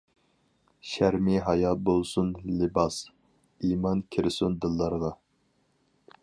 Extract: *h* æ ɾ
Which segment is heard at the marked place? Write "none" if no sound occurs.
ʃ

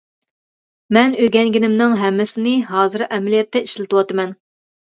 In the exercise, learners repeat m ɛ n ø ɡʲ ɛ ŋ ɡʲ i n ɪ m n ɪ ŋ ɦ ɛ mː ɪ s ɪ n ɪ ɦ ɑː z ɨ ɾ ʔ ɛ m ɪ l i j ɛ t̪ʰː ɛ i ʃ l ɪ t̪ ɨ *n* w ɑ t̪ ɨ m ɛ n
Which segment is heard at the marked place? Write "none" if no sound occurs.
none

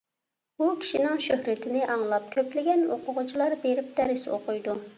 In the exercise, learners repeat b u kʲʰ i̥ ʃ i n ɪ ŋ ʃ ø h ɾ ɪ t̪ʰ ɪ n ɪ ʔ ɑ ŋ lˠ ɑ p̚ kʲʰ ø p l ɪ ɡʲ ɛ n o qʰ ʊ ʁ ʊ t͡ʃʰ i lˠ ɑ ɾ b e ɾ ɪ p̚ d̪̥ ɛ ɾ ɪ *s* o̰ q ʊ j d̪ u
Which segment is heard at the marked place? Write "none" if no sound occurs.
s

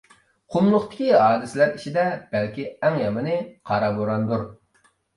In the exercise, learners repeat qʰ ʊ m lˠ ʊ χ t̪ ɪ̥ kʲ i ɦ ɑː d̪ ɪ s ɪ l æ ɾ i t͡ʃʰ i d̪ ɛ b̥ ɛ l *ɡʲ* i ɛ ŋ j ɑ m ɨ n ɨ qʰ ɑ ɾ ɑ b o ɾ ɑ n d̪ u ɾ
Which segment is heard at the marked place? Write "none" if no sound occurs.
kʲ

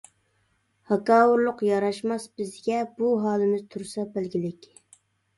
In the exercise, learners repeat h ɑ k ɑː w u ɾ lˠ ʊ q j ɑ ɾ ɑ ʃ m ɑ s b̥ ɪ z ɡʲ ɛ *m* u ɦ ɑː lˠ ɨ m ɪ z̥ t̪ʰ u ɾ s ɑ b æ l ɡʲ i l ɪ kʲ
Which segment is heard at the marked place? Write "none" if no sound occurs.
b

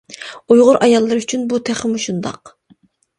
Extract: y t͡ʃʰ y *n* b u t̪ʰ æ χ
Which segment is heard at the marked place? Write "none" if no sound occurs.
n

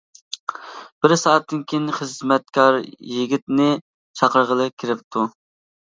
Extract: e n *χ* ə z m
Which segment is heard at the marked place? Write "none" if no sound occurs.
χ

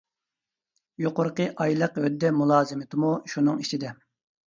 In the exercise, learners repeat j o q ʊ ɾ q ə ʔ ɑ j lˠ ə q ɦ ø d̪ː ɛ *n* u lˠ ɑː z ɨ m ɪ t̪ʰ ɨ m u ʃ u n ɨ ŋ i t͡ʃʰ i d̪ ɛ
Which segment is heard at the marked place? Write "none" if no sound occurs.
m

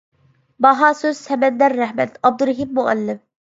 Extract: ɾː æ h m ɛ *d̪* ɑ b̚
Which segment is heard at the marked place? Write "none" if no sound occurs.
t̪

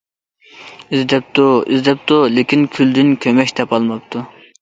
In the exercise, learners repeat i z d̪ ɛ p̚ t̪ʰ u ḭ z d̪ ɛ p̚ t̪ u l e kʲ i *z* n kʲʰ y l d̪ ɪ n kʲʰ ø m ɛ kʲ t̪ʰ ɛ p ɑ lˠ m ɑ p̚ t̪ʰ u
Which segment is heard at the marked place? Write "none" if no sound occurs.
none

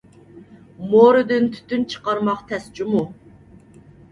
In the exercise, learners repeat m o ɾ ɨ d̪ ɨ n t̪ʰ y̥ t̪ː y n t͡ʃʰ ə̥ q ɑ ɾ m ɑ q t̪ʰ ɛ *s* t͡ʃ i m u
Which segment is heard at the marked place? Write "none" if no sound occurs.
s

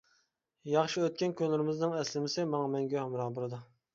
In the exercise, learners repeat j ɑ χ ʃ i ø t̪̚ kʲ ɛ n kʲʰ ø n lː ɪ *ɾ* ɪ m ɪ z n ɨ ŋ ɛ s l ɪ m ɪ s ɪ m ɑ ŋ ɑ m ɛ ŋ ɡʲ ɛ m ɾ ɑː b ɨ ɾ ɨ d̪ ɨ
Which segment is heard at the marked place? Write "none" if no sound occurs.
ɾ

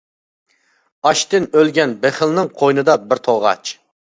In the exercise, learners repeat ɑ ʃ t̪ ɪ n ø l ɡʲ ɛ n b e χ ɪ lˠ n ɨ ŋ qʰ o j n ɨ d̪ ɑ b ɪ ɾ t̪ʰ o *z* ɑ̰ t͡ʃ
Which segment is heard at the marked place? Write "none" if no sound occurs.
ʁ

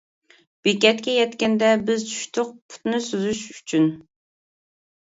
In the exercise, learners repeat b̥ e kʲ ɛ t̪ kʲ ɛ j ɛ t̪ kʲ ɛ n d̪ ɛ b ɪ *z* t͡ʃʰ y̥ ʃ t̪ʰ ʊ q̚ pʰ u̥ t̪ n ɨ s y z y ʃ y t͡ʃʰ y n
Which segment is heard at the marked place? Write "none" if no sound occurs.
z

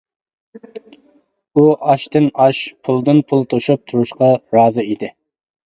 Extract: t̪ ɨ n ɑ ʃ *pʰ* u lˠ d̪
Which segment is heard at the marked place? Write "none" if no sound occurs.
pʰ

